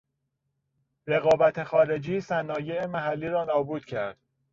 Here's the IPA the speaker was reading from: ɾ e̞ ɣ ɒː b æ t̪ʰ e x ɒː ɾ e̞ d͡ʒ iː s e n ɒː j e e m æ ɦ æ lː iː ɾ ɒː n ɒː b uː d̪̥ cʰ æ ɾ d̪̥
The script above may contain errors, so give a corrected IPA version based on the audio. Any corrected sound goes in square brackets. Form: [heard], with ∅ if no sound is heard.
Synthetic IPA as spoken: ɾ e̞ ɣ ɒː b æ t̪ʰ e x ɒː ɾ e̞ d͡ʒ iː s [æ] n ɒː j e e m æ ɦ æ lː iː ɾ ɒː n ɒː b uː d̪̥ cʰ æ ɾ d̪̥